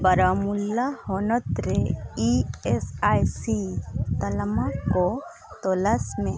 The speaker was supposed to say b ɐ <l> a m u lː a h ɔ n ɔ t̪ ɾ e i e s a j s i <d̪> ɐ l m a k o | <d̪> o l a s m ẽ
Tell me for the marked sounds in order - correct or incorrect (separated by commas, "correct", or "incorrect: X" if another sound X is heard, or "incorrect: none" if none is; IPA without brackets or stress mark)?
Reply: incorrect: ɾ, incorrect: t̪, incorrect: t̪